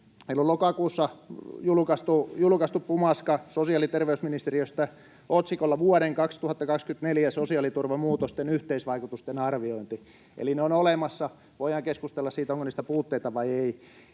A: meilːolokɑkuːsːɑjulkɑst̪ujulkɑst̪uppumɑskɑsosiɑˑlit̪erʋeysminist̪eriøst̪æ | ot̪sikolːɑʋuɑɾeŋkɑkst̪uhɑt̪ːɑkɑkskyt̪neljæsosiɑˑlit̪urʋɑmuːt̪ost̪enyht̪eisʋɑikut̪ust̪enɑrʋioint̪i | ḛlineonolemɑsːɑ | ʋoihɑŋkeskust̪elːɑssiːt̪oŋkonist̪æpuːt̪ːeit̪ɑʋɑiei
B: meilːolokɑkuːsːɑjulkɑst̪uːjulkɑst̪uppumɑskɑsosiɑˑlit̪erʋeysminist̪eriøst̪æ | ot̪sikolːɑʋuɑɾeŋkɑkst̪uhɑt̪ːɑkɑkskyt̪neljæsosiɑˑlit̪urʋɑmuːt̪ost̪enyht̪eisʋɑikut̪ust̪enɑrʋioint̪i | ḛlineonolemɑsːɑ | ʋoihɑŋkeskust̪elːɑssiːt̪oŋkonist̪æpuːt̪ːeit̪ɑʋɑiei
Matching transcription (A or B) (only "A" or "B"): A